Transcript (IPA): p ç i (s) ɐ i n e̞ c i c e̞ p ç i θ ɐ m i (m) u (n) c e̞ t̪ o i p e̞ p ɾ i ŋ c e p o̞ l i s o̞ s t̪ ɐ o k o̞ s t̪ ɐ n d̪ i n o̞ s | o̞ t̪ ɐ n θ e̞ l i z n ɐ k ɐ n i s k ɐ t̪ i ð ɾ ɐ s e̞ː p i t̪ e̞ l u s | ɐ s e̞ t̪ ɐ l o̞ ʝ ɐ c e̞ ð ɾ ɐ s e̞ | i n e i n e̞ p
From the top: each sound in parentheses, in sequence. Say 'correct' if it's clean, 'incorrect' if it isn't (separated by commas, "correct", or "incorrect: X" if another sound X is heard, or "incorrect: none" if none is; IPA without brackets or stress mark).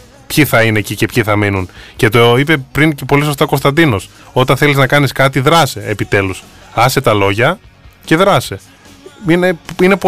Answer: incorrect: θ, incorrect: n, correct